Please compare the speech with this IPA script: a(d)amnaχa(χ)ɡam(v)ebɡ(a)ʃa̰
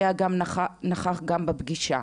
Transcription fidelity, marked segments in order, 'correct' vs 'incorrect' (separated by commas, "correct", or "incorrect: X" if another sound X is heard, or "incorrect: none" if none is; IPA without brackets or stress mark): incorrect: ɡ, correct, incorrect: b, incorrect: i